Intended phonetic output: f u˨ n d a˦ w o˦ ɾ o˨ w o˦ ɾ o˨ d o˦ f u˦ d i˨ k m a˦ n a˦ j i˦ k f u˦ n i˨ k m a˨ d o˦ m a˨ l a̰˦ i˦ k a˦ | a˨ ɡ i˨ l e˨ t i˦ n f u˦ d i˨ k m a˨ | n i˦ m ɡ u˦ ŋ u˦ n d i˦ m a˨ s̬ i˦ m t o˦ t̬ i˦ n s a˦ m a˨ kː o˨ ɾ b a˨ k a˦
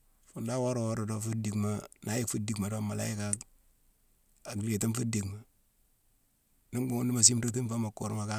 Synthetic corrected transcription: f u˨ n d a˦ w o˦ ɾ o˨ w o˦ ɾ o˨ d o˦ f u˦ d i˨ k m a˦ n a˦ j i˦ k f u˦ d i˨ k m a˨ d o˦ m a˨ l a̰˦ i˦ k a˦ | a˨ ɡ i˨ l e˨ t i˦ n f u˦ d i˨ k m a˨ | n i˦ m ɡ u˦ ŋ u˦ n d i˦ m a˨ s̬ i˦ m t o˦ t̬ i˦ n f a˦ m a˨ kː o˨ ɾ m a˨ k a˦